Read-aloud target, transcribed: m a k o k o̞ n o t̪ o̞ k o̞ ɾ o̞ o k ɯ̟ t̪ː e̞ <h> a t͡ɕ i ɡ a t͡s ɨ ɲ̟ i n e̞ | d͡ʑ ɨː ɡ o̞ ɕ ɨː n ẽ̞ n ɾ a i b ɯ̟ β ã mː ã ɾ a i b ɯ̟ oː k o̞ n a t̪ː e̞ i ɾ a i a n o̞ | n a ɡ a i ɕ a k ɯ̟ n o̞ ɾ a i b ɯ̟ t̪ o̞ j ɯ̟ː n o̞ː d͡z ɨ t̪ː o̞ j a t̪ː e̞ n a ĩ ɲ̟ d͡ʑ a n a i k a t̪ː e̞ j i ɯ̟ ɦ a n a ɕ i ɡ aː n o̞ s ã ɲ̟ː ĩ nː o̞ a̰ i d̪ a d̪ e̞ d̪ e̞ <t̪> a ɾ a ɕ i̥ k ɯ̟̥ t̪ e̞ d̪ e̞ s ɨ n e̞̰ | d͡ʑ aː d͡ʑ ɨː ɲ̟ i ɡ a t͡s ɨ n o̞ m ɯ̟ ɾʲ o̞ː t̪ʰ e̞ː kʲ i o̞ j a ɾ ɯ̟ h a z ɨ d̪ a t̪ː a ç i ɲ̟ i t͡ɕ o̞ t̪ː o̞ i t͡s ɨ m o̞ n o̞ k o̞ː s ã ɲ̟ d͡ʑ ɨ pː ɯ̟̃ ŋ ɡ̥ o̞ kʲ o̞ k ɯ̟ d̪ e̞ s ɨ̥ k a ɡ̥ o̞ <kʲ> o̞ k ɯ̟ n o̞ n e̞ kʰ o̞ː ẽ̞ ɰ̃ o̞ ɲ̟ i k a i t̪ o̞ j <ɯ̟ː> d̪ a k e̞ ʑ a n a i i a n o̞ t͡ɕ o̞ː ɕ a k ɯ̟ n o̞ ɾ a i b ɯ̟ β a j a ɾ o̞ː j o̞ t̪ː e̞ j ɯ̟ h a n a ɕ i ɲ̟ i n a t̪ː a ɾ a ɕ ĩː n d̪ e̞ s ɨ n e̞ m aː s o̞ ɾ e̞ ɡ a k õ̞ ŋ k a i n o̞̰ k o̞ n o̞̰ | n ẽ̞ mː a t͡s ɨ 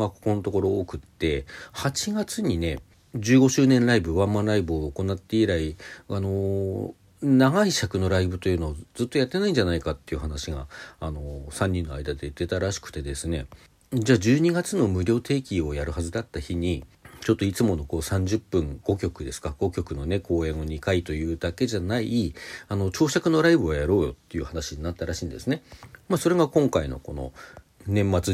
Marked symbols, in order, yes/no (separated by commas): yes, yes, yes, yes